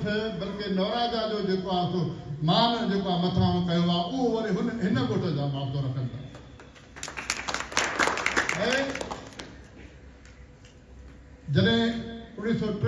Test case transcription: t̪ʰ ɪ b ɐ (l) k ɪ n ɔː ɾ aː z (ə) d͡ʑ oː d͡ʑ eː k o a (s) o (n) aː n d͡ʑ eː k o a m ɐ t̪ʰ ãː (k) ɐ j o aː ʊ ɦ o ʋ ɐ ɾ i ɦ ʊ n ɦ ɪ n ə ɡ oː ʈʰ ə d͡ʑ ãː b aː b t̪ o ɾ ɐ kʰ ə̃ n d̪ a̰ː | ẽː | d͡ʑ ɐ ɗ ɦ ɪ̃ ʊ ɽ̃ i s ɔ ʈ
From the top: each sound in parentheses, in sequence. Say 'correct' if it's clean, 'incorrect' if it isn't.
correct, incorrect, correct, incorrect, correct

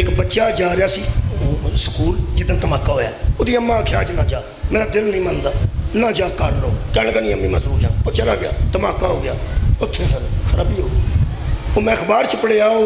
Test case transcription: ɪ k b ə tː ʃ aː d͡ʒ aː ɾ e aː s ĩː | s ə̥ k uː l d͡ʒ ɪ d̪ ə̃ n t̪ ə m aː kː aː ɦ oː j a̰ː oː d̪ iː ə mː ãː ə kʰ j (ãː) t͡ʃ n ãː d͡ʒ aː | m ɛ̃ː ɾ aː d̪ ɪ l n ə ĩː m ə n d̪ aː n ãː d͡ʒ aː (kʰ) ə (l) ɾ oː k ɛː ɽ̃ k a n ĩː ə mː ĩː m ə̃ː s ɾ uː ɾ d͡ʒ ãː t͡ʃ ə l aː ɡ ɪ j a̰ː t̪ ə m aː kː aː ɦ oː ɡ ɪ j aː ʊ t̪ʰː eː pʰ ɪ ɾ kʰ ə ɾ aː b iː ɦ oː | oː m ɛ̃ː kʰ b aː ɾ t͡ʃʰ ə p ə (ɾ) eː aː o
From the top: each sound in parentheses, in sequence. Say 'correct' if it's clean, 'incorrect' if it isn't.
incorrect, incorrect, incorrect, incorrect

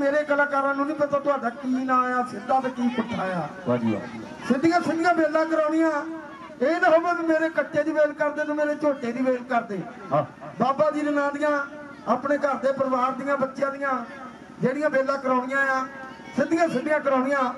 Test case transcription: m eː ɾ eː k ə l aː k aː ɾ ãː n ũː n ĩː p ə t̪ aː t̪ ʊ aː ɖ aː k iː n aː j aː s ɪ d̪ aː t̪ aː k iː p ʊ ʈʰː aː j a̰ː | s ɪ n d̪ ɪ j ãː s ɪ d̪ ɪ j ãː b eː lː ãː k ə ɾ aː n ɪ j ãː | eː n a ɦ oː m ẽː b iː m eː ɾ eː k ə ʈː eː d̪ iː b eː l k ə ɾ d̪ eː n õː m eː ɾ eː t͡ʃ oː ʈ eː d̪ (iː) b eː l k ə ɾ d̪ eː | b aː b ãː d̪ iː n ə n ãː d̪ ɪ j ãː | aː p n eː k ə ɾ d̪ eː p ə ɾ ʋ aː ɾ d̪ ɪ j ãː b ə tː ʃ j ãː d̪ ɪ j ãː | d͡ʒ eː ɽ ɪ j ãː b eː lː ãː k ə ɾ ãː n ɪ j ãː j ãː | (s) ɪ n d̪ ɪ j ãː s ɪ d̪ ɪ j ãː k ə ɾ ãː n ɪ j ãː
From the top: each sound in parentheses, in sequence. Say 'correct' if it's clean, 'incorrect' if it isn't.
correct, correct

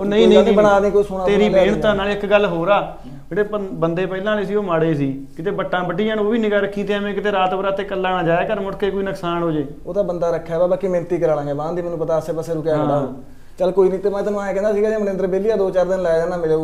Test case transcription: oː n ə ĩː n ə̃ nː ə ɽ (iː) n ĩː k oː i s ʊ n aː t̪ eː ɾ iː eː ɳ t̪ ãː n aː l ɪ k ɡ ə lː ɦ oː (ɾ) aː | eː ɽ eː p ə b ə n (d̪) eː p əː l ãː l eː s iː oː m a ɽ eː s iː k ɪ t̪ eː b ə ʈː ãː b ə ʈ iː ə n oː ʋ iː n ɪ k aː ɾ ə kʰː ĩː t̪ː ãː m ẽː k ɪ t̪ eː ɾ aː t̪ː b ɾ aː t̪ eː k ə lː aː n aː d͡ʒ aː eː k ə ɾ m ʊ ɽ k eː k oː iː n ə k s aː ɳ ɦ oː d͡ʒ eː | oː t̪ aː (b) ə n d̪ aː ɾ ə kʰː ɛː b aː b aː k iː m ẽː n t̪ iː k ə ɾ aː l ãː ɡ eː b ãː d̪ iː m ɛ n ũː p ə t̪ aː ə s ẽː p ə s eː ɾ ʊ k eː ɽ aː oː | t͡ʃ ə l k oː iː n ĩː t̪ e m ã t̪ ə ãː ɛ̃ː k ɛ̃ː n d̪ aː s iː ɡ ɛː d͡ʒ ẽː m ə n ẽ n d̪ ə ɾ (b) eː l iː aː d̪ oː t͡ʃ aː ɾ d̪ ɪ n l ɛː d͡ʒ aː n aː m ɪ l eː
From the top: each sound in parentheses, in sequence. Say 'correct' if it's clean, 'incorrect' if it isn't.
incorrect, correct, correct, correct, correct

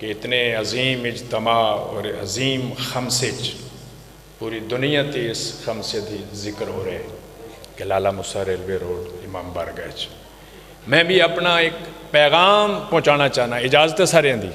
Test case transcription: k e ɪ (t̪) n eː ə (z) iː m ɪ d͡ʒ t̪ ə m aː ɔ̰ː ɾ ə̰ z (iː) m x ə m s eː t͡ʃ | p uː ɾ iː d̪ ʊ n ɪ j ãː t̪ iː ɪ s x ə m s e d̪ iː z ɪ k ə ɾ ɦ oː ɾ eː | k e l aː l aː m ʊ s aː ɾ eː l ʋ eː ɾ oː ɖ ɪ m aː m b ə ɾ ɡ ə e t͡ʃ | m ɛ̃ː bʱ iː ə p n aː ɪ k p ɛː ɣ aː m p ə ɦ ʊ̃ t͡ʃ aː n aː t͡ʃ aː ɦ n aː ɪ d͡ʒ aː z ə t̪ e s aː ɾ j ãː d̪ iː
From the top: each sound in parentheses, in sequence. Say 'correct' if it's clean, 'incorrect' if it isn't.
correct, correct, correct

